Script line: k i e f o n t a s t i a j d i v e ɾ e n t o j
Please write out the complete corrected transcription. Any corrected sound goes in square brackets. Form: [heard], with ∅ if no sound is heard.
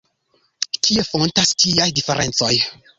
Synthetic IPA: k i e f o n t a s t i a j d i [f] e ɾ e n [t͡s] o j

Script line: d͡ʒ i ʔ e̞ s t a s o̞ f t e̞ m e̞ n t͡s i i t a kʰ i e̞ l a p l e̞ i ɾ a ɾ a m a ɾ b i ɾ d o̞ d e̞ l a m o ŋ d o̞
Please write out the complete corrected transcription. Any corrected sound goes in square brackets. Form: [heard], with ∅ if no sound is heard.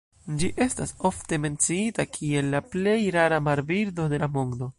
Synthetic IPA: d͡ʒ i ʔ e̞ s t a s o̞ f t e̞ m e̞ n t͡s i i t a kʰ i e̞ [lː] a p l e̞ [j] ɾ a ɾ a m a ɾ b i ɾ d o̞ d e̞ l a m o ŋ d o̞

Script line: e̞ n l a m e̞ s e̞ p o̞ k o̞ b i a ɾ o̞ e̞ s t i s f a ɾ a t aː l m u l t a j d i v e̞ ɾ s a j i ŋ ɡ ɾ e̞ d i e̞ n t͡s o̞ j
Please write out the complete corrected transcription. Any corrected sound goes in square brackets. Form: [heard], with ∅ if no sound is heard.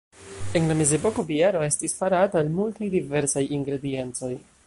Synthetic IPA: e̞ n l a m e̞ [z] e̞ p o̞ k o̞ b i a ɾ o̞ e̞ s t i s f a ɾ a t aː l m u l t a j d i v e̞ ɾ s a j i ŋ ɡ ɾ e̞ d i e̞ n t͡s o̞ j

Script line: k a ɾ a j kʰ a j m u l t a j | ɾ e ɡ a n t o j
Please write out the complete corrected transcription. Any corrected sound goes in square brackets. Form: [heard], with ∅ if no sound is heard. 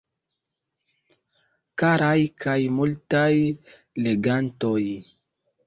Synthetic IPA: k a ɾ a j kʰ a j m u l t a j | [l] e ɡ a n t o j

